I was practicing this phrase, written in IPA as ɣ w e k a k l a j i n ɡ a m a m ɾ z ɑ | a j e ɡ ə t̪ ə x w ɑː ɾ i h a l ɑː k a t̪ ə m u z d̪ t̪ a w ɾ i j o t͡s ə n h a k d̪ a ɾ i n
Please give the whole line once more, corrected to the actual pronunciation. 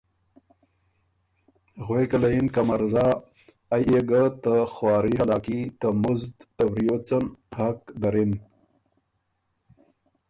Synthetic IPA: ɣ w e k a l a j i n k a m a ɾ z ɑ | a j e ɡ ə t̪ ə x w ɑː ɾ i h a l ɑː k i t̪ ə m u z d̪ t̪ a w ɾ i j o t͡s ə n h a k d̪ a ɾ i n